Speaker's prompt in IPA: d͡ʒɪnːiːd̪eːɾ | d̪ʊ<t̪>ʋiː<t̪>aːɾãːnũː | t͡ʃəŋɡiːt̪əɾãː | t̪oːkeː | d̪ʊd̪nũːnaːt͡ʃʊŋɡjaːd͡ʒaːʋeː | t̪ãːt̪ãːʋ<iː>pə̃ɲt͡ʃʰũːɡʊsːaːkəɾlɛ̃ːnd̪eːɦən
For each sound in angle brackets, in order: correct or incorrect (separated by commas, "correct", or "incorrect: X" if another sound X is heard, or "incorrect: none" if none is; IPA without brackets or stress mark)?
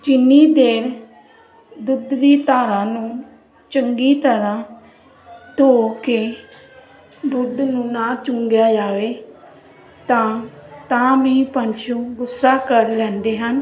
incorrect: d̪, correct, correct